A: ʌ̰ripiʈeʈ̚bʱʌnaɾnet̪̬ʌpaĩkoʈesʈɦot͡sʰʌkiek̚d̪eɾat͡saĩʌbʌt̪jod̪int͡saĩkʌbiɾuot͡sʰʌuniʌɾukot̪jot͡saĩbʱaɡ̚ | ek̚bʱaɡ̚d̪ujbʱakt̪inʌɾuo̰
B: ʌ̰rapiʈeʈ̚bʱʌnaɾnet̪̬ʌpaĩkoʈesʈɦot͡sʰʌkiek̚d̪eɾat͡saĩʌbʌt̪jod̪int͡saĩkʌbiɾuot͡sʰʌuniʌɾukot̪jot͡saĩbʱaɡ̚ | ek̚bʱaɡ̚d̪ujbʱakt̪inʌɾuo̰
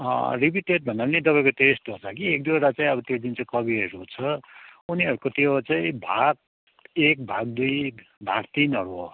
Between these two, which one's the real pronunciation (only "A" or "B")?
A